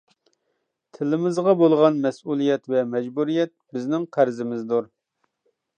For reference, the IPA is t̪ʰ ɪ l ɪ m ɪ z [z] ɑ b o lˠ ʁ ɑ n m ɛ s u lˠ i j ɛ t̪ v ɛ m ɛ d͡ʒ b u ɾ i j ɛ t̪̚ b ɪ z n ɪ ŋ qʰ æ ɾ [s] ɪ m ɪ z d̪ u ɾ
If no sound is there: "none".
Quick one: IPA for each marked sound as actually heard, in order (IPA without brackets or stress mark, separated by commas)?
ʁ, z